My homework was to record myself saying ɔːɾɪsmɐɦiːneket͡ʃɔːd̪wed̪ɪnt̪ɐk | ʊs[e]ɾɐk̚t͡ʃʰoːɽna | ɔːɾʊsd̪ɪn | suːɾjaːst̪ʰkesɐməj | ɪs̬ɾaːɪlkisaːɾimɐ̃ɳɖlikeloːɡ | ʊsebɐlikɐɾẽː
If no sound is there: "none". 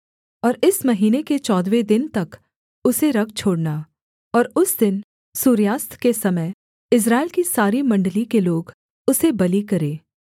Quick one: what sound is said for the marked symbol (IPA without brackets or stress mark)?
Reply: e